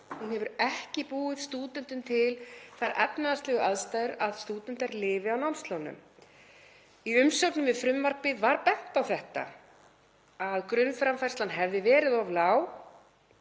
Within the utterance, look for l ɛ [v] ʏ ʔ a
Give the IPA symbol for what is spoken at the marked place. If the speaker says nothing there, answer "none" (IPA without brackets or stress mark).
ɣ